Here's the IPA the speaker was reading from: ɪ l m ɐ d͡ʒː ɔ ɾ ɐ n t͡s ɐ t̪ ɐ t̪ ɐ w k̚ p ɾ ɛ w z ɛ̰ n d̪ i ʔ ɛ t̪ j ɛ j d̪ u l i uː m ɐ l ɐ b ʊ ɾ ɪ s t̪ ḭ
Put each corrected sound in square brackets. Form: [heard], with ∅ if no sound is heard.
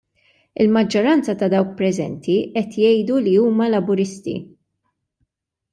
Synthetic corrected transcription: ɪ l m ɐ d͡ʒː ɔ ɾ ɐ n t͡s ɐ t̪ ɐ [d̪] ɐ w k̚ p ɾ ɛ [∅] z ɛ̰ n [t̪] i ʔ ɛ t̪ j ɛ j d̪ u l i uː m ɐ l ɐ b ʊ ɾ ɪ s t̪ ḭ